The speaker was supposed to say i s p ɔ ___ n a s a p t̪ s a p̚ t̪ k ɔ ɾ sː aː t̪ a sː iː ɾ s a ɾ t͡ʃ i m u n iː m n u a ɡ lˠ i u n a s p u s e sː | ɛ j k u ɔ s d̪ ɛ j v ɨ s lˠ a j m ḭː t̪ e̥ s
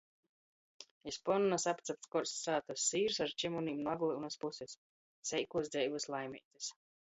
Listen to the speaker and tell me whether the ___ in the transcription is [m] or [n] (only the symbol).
n